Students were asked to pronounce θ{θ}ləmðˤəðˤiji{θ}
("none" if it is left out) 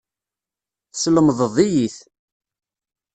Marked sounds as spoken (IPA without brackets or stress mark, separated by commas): s, θ